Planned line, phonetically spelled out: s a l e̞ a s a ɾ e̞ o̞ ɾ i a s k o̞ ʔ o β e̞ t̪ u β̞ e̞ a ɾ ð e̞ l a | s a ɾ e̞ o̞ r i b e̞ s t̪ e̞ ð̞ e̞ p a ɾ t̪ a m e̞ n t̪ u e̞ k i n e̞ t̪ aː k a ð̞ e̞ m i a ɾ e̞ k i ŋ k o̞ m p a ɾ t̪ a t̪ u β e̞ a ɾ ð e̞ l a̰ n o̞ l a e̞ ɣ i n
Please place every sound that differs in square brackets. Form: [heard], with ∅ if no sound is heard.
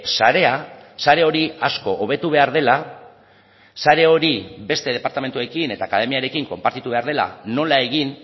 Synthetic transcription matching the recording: s a [ɾ] e̞ a s a ɾ e̞ o̞ ɾ i a s k o̞ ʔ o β e̞ t̪ u β̞ e̞ a ɾ ð e̞ l a | s a ɾ e̞ o̞ [ɾ] i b e̞ s t̪ e̞ ð̞ e̞ p a ɾ t̪ a m e̞ n t̪ u e̞ k i n e̞ t̪ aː k a ð̞ e̞ m i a ɾ e̞ k i ŋ k o̞ m p a ɾ t̪ [i] t̪ u β e̞ a ɾ ð e̞ l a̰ n o̞ l a e̞ ɣ i n